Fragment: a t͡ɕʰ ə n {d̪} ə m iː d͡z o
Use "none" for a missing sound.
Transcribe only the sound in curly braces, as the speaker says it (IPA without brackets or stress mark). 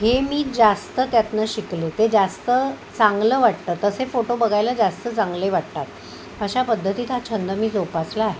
d̪